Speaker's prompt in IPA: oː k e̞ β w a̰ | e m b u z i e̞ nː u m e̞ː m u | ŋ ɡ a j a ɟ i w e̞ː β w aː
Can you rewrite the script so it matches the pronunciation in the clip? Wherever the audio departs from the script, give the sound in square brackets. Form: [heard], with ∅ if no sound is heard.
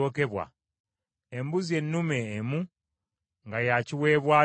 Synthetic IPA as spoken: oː k e̞ β w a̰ | e m b u z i e̞ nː u m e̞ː m u | ŋ ɡ a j a [c] i w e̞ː β w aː